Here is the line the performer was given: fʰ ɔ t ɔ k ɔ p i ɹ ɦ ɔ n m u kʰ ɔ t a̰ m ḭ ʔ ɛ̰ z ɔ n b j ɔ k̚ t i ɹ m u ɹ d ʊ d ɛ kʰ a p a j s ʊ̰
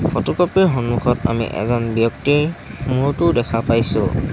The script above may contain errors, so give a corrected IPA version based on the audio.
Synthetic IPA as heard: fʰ ɔ t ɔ k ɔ p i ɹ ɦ ɔ n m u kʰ ɔ t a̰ m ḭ ʔ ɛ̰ z ɔ n b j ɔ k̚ t i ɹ m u ɹ t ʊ d ɛ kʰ a p a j s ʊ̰